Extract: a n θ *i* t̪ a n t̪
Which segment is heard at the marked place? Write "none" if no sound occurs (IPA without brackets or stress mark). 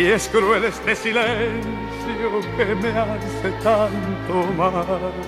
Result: e